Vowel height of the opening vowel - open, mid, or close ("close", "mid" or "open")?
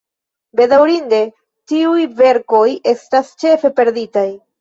mid